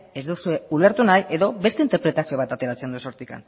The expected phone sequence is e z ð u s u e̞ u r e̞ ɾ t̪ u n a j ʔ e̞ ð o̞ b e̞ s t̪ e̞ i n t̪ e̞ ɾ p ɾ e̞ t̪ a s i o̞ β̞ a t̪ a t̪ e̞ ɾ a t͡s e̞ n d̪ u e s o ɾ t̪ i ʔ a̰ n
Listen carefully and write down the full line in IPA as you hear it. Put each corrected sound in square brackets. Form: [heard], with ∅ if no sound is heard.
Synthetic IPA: e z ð u s u e̞ u [l] e̞ ɾ t̪ u n a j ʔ e̞ ð o̞ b e̞ s t̪ e̞ i n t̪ e̞ ɾ p ɾ e̞ t̪ a s i o̞ β̞ a t̪ a t̪ e̞ ɾ a t͡s e̞ n d̪ u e s o ɾ t̪ i [k] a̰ n